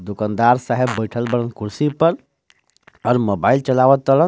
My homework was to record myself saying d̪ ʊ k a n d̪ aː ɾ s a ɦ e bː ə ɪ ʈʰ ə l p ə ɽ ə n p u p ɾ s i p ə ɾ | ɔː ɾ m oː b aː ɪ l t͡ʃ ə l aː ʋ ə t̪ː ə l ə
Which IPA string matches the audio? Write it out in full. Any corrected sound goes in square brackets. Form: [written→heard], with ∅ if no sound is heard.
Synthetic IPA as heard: d̪ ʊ k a n d̪ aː ɾ s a ɦ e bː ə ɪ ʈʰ ə l [p→b] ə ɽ ə n [p→k] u [p→∅] ɾ s i p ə ɾ | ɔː ɾ m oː b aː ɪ l t͡ʃ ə l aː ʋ ə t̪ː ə l ə